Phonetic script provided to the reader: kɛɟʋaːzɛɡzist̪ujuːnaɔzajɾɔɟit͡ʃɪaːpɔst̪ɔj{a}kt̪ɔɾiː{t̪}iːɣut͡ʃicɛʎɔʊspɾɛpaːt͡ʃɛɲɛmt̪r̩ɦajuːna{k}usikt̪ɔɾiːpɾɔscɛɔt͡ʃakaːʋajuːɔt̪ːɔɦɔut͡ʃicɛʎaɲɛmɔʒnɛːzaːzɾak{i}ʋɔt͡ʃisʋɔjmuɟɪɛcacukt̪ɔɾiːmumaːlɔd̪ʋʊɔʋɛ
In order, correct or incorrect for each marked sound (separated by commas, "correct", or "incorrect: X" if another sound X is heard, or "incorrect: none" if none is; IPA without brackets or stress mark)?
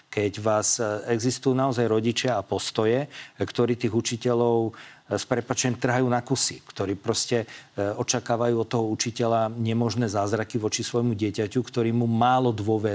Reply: incorrect: ɛ, correct, correct, correct